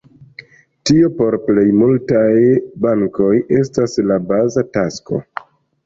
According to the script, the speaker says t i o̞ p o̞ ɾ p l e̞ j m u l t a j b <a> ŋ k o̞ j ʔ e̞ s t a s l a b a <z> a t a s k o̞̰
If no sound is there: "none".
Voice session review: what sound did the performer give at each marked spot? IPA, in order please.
a, z

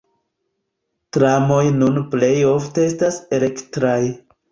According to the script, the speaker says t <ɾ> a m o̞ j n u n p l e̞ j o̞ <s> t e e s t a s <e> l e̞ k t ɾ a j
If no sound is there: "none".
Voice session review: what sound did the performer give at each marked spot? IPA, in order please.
ɾ, f, e

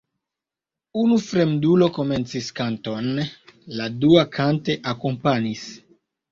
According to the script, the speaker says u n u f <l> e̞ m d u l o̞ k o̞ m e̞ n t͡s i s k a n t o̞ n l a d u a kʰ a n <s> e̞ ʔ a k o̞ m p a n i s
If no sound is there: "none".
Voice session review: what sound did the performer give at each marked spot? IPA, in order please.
ɾ, t

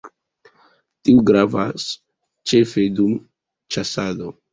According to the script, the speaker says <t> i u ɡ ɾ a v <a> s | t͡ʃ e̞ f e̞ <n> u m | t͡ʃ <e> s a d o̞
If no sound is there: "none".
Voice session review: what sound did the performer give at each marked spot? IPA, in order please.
t, a, d, a

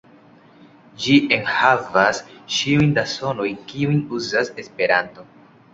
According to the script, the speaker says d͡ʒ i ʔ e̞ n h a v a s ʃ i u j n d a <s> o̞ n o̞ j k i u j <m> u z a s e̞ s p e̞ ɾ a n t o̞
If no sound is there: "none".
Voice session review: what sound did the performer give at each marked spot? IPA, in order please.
s, n

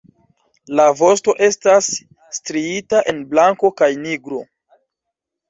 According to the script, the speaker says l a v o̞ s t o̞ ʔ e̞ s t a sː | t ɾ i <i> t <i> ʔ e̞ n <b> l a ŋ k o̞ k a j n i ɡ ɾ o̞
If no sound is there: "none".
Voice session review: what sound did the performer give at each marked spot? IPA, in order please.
i, a, b

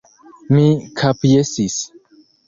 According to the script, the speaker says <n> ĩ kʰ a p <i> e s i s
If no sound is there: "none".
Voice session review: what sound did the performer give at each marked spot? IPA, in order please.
m, j

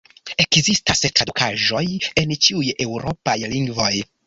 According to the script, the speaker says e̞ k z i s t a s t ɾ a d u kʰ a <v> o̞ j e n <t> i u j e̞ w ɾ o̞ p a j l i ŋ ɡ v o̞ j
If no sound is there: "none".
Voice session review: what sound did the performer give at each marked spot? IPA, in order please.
ʒ, t͡ʃ

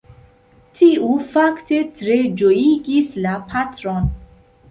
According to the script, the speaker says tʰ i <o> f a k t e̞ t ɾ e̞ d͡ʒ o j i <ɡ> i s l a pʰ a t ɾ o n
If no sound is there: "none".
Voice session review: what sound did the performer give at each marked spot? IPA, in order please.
u, ɡ

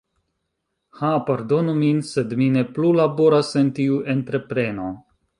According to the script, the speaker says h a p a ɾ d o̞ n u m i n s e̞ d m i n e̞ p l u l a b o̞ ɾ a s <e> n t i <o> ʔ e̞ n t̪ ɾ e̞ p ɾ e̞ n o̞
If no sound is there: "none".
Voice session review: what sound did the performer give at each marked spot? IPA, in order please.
e, u

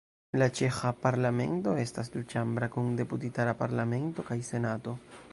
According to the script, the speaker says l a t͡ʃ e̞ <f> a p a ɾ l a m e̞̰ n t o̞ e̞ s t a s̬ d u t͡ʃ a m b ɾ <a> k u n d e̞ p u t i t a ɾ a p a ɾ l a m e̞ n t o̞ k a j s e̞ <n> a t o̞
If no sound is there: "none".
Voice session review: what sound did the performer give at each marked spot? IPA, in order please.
x, a, n

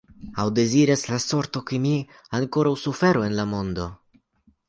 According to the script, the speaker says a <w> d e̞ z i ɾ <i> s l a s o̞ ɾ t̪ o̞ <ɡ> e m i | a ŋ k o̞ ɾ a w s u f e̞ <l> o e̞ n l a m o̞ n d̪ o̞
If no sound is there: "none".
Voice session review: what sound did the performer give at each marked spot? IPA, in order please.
w, a, k, ɾ

